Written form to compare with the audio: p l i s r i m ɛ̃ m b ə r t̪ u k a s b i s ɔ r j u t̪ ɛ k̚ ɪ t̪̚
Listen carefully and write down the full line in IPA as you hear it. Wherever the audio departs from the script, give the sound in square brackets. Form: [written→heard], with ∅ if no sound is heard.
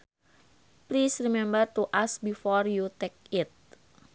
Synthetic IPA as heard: p l i s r i m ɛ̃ m b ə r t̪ u [k→ʔ] a s b i [s→f] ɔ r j u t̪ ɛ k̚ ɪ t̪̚

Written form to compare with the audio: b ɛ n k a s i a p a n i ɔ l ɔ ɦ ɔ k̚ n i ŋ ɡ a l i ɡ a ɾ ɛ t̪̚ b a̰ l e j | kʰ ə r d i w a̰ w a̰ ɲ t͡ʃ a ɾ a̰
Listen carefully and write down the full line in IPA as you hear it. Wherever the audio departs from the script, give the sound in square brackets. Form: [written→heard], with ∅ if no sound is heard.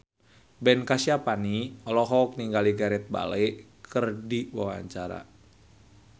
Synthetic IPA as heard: b ɛ n k a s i a p a n i ɔ l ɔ ɦ ɔ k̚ n i ŋ ɡ a l i ɡ a ɾ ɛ t̪̚ b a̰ l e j | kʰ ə r d i w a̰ w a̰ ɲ t͡ʃ a ɾ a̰

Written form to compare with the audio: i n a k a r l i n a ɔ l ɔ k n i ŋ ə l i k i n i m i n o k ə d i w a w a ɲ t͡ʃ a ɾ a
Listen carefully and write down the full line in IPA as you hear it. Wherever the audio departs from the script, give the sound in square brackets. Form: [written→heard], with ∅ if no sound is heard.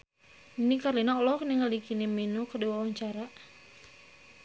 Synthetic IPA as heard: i n [a→i] k a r l i n a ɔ l ɔ k n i ŋ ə l i k i n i m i n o k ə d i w a w a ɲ t͡ʃ a ɾ a

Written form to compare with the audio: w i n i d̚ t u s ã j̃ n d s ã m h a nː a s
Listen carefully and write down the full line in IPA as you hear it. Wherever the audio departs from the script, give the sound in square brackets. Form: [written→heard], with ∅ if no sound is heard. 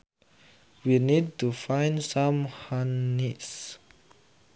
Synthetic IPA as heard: w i n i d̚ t u [s→f] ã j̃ n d s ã m h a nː [a→i] s

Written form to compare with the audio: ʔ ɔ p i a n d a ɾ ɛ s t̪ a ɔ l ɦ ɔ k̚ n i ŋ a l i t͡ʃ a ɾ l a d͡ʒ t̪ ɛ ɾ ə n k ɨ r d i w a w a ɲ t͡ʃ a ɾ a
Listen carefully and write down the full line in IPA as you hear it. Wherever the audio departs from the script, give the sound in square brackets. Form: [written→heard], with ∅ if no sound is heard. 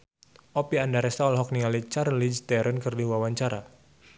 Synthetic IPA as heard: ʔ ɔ p i a n d a ɾ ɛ s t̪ a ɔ l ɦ ɔ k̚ n i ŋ a l i t͡ʃ a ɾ l [a→i] d͡ʒ t̪ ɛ ɾ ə n k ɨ r d i w a w a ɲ t͡ʃ a ɾ a

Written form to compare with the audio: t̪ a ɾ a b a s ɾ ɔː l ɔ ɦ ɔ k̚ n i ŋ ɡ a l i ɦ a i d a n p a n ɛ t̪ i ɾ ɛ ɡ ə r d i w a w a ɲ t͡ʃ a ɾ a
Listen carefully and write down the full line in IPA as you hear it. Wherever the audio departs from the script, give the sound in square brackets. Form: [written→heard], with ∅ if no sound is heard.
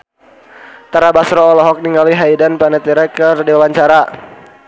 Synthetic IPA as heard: t̪ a ɾ a b a s ɾ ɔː l ɔ ɦ ɔ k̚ n i ŋ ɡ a l i ɦ a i d a n p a n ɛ t̪ i ɾ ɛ [ɡ→k] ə r d i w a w a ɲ t͡ʃ a ɾ a

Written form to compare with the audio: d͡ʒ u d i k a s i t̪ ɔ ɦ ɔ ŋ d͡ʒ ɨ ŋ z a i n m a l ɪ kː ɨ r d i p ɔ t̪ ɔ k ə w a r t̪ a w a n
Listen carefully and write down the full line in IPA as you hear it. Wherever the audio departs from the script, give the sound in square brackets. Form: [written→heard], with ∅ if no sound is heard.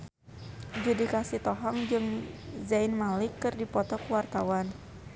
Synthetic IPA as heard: d͡ʒ u d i k a s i t̪ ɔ ɦ ɔ ŋ d͡ʒ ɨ ŋ z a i n m a l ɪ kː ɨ r d i p ɔ t̪ ɔ k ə w a r t̪ a w a n

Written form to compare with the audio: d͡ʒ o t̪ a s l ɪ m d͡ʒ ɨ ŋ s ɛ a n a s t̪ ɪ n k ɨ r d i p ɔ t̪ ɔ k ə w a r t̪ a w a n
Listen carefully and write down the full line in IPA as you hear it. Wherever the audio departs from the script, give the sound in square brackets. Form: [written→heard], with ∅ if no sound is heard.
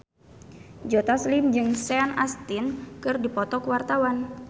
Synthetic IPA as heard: d͡ʒ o t̪ a s l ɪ m d͡ʒ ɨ ŋ s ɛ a n a s t̪ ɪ n k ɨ r d i p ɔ t̪ ɔ k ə w a r t̪ a w a n

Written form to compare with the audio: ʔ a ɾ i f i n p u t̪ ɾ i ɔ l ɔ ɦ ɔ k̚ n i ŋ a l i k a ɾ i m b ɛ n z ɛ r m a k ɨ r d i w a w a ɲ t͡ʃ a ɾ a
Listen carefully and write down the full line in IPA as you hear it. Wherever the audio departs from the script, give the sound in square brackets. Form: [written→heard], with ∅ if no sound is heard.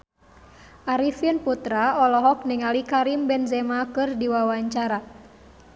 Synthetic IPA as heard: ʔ a ɾ i f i n p u t̪ ɾ [i→a] ɔ l ɔ ɦ ɔ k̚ n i ŋ a l i k a ɾ i m b ɛ n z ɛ [r→∅] m a k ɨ r d i w a w a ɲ t͡ʃ a ɾ a

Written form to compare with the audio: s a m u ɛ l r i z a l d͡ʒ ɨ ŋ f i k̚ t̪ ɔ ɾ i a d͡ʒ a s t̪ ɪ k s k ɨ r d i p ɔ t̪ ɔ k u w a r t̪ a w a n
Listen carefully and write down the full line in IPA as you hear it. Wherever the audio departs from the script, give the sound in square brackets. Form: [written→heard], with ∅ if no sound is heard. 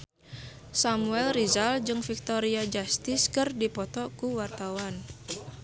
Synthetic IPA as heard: s a m u ɛ l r i z a l d͡ʒ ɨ ŋ f i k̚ t̪ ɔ ɾ i a d͡ʒ a s t̪ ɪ [k→∅] s k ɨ r d i p ɔ t̪ ɔ k u w a r t̪ a w a n

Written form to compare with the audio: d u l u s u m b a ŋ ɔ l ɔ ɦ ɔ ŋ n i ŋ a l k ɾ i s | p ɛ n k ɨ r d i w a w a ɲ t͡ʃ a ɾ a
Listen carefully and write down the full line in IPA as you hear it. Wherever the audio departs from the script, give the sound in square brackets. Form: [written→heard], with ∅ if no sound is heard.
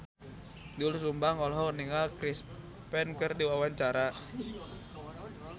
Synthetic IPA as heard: d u l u s u m b a ŋ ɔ l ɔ ɦ ɔ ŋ n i ŋ a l k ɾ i s | p ɛ n k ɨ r d i w a w a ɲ t͡ʃ a ɾ a

